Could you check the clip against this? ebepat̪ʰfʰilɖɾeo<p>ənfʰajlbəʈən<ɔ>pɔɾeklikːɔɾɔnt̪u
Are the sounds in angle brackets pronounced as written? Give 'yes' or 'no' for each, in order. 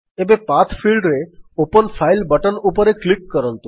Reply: yes, no

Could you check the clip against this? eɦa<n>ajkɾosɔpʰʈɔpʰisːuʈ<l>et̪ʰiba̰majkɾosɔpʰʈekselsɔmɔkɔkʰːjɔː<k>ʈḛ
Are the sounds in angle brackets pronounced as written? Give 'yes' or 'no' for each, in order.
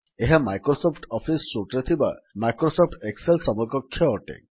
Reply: no, no, no

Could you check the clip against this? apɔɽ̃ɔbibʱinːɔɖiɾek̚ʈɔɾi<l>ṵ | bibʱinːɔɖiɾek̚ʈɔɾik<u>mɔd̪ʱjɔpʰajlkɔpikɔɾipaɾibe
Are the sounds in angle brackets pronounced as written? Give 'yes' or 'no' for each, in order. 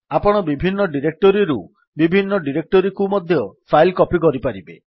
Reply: no, yes

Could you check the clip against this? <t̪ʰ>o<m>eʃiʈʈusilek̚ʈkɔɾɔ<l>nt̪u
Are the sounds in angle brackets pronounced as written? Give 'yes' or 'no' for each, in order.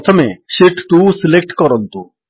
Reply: yes, yes, no

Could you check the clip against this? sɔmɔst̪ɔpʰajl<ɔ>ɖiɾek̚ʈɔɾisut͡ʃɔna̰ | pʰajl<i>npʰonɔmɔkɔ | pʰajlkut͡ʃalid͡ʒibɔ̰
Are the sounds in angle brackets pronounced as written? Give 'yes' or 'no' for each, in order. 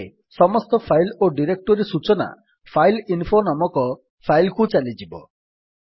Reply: no, yes

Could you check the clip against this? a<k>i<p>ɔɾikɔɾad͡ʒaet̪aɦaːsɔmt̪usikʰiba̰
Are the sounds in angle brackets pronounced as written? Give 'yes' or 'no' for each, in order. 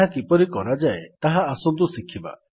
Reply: yes, yes

